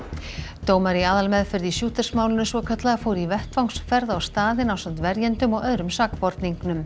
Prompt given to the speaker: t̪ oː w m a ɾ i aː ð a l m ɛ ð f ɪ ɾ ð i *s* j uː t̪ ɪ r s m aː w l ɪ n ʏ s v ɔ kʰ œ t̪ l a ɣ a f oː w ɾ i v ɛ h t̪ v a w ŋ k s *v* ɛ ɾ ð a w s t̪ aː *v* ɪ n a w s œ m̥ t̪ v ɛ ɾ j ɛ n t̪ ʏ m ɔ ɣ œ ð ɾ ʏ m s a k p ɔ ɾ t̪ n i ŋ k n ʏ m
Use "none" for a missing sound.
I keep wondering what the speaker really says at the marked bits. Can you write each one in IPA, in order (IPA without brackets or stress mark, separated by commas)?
s, f, ð